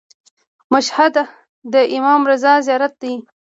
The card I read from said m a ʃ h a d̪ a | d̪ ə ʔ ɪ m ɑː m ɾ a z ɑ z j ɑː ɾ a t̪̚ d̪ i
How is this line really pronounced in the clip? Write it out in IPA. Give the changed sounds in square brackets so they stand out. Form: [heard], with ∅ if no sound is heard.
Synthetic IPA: m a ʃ h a d̪ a | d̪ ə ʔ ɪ m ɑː m ɾ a z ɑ z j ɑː ɾ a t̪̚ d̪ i